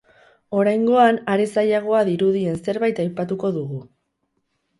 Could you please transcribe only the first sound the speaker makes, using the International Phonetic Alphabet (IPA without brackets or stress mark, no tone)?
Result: o̞